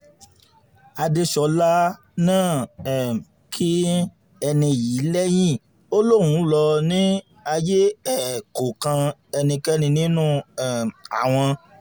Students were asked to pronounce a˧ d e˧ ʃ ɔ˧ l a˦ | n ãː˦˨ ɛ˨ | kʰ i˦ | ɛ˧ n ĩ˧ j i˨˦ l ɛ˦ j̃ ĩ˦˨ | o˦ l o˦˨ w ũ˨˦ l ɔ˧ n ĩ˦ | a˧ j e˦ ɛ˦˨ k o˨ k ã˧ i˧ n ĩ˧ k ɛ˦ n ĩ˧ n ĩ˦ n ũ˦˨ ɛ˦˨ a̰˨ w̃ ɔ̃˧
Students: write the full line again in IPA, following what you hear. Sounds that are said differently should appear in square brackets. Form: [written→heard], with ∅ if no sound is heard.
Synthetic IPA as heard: a˧ d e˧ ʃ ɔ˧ l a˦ | n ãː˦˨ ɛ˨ | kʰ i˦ | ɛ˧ n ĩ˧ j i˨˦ l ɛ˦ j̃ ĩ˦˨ | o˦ l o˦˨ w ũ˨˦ l ɔ˧ n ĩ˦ | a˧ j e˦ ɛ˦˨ k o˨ k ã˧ [i˧→ɛ˧] n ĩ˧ k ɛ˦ n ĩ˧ n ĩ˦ n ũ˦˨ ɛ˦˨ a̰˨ w̃ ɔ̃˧

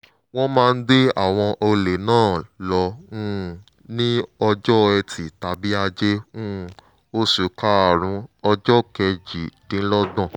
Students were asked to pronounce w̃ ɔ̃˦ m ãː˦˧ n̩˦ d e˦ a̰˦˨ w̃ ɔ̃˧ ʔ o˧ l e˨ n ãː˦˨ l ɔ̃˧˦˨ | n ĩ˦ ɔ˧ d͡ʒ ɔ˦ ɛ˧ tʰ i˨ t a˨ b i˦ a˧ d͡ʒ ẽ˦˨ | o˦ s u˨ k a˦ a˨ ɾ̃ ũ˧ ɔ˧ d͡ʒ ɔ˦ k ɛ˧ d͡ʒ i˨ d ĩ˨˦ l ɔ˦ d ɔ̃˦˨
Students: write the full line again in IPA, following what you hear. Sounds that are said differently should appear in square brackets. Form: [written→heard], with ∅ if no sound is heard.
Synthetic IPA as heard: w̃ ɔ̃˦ m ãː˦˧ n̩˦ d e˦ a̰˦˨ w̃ ɔ̃˧ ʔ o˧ l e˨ n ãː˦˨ l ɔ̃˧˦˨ | n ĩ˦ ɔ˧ d͡ʒ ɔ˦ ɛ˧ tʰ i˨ t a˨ b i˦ a˧ d͡ʒ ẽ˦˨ | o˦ s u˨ k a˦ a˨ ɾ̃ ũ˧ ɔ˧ d͡ʒ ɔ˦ k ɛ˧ d͡ʒ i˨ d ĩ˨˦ l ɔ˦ d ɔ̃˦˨

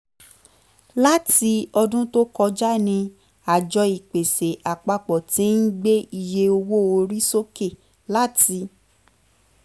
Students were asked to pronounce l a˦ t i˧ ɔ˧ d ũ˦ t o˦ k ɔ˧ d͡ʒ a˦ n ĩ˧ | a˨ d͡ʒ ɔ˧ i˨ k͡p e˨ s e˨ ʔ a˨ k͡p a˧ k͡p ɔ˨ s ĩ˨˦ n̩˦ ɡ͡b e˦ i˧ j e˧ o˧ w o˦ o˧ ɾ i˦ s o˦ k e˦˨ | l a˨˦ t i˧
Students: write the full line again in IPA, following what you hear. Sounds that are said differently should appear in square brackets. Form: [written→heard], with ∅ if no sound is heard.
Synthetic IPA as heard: l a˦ t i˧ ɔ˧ d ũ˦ t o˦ k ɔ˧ d͡ʒ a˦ n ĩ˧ | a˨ d͡ʒ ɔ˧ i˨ k͡p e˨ s e˨ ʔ a˨ k͡p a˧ k͡p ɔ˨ [s→t] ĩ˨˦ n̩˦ ɡ͡b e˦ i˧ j e˧ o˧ w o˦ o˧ ɾ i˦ s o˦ k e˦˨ | l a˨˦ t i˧

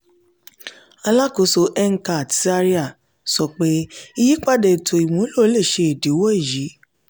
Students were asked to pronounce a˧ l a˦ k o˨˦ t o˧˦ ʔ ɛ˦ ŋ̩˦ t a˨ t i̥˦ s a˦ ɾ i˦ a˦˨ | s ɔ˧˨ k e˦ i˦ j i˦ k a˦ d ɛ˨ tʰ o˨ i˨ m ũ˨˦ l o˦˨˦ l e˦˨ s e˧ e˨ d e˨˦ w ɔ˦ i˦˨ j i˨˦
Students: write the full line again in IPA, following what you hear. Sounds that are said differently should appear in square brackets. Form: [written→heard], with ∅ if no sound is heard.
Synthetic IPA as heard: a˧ l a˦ k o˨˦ [t→s] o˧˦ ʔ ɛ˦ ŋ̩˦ [t→k] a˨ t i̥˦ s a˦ ɾ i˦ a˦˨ | s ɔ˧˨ [k→k͡p] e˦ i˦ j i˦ [k→k͡p] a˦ d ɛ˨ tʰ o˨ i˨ m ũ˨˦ l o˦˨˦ l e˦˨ [s→ʃ] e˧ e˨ d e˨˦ w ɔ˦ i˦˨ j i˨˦

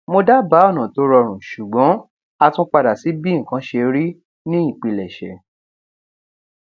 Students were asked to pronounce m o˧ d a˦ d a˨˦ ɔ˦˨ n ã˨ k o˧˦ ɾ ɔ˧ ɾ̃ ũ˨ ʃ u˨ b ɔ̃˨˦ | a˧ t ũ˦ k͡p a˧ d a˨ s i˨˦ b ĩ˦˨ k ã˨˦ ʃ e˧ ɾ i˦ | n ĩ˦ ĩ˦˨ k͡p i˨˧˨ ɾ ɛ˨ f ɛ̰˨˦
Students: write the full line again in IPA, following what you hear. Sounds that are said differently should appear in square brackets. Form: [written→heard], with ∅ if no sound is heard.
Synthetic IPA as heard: m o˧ d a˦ [d→b] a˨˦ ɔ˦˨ n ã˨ [k→t] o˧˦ ɾ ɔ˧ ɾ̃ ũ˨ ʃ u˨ [b→ɡ͡b] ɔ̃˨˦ | a˧ t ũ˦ k͡p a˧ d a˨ s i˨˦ b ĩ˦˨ k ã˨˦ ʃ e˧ ɾ i˦ | n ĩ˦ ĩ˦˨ k͡p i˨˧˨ [ɾ→l] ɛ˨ [f→ʃ] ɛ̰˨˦

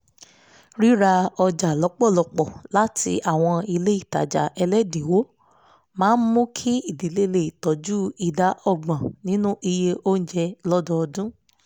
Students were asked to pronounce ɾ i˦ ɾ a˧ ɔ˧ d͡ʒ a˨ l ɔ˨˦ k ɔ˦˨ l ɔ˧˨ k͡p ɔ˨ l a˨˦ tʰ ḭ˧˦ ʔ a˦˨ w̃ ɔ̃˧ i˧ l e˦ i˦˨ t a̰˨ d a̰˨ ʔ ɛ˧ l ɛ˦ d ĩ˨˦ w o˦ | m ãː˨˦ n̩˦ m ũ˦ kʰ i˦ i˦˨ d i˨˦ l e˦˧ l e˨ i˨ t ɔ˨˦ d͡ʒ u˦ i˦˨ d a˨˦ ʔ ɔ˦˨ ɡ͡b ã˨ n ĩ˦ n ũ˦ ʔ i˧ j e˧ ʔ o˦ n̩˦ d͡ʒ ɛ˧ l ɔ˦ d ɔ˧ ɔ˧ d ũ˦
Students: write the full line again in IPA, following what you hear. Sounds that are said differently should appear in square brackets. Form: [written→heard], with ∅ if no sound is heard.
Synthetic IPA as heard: ɾ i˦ ɾ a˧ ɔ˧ d͡ʒ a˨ l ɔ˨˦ [k→k͡p] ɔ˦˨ l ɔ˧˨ k͡p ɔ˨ l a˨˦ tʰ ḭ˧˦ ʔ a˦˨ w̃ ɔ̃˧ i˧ l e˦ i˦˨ t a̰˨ [d→d͡ʒ] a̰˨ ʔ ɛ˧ l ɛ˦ d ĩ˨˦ w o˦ | m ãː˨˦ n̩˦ m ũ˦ kʰ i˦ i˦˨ d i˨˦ l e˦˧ l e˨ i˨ t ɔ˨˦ d͡ʒ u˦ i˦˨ d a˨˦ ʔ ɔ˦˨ ɡ͡b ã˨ n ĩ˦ n ũ˦ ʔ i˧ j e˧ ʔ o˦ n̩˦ d͡ʒ ɛ˧ l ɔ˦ d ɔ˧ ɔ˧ d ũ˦

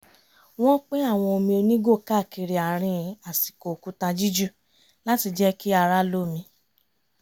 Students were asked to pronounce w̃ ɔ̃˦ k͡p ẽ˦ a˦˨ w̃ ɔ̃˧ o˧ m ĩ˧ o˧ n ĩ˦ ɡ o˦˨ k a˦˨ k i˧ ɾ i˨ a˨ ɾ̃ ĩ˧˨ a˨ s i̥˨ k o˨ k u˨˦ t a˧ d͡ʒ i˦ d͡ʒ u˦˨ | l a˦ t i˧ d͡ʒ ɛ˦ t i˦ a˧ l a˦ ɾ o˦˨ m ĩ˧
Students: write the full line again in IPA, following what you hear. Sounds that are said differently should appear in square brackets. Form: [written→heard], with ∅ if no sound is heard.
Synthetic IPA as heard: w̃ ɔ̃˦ k͡p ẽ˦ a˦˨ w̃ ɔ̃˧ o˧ m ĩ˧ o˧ n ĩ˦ ɡ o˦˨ k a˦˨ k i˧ ɾ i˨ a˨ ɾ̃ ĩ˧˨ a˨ s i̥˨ k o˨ k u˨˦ t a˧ d͡ʒ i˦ d͡ʒ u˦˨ | l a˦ t i˧ d͡ʒ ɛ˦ [t→k] i˦ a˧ [l→ɾ] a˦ [ɾ→l] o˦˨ m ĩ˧

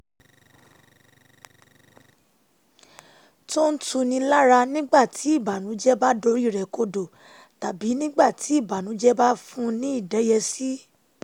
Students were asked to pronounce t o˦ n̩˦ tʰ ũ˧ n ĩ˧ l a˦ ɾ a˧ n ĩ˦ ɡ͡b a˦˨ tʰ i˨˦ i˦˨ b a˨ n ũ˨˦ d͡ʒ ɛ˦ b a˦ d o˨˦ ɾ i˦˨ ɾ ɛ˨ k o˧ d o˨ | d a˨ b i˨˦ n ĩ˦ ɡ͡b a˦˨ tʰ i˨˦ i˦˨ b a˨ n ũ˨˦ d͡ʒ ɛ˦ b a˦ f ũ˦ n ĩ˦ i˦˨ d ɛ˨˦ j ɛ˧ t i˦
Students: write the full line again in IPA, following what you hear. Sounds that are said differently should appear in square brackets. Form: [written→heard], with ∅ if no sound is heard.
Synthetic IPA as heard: t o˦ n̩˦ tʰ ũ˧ n ĩ˧ l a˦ ɾ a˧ n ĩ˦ ɡ͡b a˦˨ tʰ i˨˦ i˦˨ b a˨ n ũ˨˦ d͡ʒ ɛ˦ b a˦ d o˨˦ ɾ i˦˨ ɾ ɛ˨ k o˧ d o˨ | [d→t] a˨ b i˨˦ n ĩ˦ ɡ͡b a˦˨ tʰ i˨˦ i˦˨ b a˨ n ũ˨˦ d͡ʒ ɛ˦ b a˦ f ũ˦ n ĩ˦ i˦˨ d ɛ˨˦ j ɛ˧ [t→s] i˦

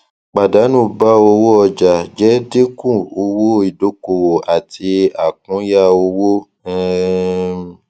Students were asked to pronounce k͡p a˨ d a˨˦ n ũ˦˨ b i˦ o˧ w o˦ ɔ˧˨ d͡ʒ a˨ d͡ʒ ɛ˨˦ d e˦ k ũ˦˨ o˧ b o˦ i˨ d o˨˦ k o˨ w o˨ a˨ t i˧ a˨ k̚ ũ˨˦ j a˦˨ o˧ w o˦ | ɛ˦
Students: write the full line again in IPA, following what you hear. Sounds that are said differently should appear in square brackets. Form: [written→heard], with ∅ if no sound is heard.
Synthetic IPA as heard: k͡p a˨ d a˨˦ n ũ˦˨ b [i˦→a˦] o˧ w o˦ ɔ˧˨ d͡ʒ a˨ d͡ʒ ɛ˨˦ d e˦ k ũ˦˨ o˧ [b→w] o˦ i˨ d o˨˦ k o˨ w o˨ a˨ t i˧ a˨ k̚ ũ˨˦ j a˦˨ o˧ w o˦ | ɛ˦

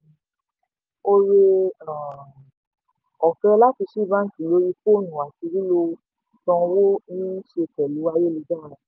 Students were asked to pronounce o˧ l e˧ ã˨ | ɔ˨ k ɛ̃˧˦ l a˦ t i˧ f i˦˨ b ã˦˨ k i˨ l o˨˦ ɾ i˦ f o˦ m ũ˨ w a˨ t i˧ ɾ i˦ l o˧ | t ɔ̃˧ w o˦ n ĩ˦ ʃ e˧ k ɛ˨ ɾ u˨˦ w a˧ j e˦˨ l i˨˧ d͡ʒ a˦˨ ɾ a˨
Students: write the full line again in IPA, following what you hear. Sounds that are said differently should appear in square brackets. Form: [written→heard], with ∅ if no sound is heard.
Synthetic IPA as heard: o˧ [l→ɾ] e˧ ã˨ | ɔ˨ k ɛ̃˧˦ l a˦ t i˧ [f→ʃ] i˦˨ b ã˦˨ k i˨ l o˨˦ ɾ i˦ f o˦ [m→n] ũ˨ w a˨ t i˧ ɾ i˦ l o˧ | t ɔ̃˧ w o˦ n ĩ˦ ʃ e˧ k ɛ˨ [ɾ→l] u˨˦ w a˧ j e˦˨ l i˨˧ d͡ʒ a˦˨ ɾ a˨

